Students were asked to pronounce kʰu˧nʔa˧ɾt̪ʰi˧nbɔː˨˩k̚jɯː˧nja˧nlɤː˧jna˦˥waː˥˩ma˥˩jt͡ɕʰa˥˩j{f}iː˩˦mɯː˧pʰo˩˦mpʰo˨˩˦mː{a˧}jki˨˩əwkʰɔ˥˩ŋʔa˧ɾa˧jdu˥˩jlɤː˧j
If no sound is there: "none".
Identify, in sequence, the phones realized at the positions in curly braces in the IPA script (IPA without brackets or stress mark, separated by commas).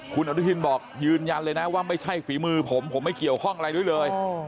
f, a˥˩